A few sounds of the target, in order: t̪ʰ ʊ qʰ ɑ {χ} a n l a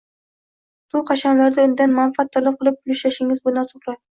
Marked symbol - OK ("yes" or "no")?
no